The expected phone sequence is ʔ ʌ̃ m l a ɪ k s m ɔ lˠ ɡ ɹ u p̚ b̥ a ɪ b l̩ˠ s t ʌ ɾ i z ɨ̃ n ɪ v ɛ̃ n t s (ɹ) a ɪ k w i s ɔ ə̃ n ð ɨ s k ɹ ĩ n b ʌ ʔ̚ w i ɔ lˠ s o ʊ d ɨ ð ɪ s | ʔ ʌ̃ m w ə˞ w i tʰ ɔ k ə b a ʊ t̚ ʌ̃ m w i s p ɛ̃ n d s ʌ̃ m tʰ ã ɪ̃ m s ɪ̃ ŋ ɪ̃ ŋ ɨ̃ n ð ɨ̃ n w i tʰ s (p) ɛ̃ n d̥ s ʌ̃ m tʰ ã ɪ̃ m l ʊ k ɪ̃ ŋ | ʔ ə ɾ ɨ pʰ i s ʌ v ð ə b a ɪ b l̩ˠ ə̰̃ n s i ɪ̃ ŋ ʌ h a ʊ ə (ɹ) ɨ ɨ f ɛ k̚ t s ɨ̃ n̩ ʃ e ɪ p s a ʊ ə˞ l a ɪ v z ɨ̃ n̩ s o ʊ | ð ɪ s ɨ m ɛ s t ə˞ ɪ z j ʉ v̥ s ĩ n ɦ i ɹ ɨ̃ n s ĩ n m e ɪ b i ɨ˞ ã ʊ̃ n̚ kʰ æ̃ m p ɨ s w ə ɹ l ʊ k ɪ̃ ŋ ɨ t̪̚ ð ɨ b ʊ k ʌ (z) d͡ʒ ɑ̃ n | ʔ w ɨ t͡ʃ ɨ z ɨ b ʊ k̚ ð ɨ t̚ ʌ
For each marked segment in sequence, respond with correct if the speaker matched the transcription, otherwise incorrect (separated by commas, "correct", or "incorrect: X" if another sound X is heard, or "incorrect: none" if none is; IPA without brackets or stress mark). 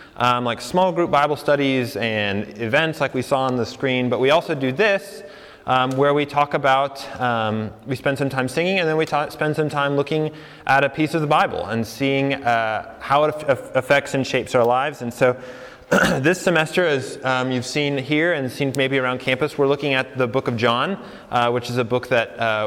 incorrect: l, correct, incorrect: ɾ, incorrect: v